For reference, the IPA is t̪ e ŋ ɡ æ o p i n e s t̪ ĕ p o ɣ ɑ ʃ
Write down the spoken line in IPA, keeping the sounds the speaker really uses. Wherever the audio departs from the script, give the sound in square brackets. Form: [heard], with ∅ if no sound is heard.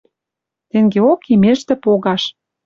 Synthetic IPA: t̪ e ŋ ɡ [e] o [k] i [m] e [ʃ] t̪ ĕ p o ɣ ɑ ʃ